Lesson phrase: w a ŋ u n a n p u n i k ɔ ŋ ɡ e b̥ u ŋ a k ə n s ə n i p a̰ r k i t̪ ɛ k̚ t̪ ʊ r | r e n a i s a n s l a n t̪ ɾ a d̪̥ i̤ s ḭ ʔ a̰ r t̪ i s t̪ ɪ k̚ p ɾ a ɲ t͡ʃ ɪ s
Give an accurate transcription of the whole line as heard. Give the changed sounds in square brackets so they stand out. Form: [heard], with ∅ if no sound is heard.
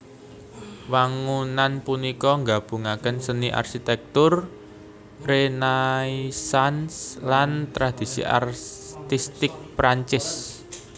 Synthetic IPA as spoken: w a ŋ u n a n p u n i k ɔ ŋ ɡ [a] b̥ u ŋ a k ə n s ə n i [ʔ] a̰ r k i t̪ ɛ k̚ t̪ ʊ r | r e n a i s a n s l a n t̪ ɾ a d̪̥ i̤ s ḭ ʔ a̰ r t̪ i s t̪ ɪ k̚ p ɾ a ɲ t͡ʃ ɪ s